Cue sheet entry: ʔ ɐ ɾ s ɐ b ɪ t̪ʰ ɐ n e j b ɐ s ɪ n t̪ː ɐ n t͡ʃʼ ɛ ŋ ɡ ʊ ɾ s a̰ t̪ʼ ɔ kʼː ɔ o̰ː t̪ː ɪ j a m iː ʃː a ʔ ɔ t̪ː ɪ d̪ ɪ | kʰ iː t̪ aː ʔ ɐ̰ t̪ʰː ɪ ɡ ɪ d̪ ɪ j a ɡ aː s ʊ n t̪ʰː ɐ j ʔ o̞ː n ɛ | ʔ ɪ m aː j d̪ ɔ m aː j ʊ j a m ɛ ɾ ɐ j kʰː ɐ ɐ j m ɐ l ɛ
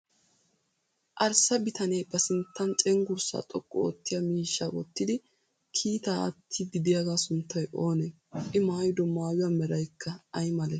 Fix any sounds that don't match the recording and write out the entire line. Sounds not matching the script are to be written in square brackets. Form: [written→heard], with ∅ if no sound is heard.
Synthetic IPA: ʔ ɐ ɾ s ɐ b ɪ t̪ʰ ɐ n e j b ɐ s ɪ n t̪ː ɐ n t͡ʃʼ ɛ ŋ ɡ ʊ ɾ s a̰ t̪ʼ ɔ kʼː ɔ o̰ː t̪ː ɪ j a m iː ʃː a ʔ ɔ t̪ː ɪ d̪ ɪ | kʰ iː t̪ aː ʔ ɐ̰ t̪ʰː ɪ ɡ ɪ d̪ ɪ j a ɡ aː s ʊ n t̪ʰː ɐ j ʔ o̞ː n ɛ | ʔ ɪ m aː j d̪ ɔ m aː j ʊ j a m ɛ ɾ ɐ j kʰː ɐ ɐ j m ɐ l ɛ